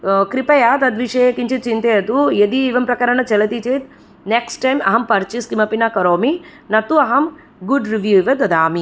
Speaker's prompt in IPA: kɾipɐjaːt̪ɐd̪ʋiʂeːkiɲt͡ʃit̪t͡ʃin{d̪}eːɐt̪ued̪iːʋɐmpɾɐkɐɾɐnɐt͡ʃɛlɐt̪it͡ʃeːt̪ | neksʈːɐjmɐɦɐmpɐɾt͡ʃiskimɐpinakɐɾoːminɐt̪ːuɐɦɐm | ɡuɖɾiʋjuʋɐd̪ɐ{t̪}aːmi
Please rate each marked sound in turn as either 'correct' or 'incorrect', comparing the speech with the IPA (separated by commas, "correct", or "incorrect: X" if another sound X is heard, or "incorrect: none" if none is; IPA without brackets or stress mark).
incorrect: t̪, incorrect: d̪